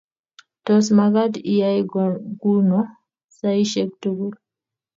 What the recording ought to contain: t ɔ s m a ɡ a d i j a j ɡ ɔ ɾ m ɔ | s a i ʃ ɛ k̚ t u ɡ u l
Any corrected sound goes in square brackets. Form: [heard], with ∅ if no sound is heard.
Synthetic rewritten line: t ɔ s m a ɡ a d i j a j ɡ [u] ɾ [n] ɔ | s a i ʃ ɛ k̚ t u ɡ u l